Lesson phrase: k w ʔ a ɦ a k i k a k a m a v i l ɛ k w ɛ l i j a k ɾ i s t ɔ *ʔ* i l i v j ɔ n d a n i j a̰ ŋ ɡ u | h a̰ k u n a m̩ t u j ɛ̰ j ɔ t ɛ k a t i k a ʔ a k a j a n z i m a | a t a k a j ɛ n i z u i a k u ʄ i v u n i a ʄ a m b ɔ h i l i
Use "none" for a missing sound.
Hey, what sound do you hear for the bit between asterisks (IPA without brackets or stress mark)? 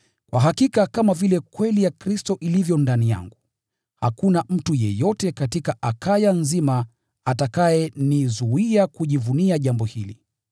ʔ